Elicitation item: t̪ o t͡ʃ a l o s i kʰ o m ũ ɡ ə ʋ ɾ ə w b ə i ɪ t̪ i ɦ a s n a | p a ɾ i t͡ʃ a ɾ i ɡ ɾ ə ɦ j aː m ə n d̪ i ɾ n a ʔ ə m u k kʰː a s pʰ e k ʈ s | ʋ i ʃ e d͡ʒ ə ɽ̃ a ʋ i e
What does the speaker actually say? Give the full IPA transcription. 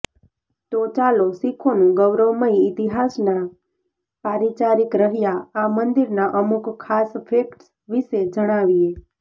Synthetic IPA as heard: t̪ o t͡ʃ a l o s i kʰ o n ũ ɡ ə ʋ ɾ ə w m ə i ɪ t̪ i ɦ a s n a | p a ɾ i t͡ʃ a ɾ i k ɾ ə ɦ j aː m ə n d̪ i ɾ n a ʔ ə m u k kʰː a s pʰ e k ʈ s | ʋ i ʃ e d͡ʒ ə ɽ̃ a ʋ i e